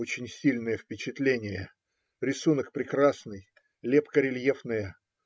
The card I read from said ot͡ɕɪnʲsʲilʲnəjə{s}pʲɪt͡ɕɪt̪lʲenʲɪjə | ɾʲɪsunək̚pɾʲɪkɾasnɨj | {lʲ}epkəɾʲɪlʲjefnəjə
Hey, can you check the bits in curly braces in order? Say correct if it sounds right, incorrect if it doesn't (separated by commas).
incorrect, correct